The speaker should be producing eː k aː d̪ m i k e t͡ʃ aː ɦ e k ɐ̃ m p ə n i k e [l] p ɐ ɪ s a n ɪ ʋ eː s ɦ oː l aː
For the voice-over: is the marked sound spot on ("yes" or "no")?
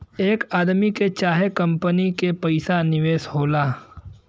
no